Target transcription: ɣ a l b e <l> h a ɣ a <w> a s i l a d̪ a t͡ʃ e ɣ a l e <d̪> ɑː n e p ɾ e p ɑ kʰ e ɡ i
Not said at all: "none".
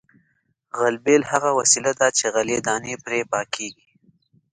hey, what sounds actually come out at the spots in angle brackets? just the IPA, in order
l, w, d̪

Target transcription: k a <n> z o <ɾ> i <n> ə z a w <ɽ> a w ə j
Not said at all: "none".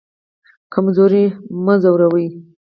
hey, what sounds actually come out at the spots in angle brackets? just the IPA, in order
m, ɾ, m, ɾ

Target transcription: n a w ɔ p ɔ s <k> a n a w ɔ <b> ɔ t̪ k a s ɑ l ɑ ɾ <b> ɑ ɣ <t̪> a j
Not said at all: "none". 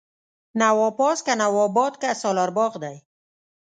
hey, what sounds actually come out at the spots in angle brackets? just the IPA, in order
k, b, b, d̪

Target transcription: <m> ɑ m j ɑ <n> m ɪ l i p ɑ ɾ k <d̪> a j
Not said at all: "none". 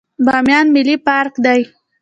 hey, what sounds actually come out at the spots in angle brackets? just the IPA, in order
b, n, d̪

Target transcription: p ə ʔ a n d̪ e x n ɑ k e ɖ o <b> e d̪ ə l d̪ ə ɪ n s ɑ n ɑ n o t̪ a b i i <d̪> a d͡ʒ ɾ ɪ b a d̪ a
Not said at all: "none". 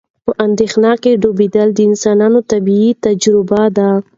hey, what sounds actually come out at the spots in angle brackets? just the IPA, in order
b, t̪

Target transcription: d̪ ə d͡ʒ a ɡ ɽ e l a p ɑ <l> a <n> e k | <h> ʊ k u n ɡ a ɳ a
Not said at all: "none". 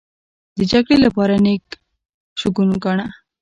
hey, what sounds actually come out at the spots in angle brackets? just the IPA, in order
ɾ, n, ʃ

